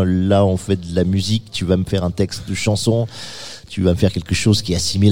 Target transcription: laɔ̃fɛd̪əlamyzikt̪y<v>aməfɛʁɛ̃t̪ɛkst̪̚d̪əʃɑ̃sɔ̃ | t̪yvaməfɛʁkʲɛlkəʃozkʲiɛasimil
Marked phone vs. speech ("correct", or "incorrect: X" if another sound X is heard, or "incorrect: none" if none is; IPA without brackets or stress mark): correct